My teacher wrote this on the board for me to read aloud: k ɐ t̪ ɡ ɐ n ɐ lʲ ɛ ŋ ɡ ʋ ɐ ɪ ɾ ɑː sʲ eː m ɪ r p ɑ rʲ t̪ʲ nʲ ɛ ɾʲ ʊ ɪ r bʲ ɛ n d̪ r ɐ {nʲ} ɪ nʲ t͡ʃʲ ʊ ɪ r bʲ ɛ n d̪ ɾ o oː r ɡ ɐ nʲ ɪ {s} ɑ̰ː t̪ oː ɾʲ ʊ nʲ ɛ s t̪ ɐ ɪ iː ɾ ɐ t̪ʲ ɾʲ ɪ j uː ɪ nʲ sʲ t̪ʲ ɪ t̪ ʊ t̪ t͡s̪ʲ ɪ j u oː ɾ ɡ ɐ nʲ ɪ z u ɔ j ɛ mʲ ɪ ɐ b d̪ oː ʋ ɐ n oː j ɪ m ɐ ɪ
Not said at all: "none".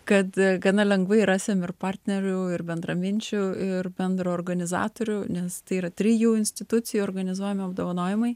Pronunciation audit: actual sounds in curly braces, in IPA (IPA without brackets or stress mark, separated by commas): mʲ, z